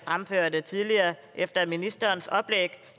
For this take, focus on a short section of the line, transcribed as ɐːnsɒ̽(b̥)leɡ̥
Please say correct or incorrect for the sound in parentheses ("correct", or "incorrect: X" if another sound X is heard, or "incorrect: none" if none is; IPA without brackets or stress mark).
correct